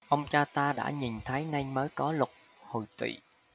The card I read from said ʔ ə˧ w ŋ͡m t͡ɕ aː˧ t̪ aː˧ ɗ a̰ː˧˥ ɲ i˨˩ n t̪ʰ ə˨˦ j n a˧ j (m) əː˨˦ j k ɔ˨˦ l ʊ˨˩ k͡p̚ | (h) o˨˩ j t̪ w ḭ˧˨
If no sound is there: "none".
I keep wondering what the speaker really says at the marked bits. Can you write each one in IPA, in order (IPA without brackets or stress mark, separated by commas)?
m, h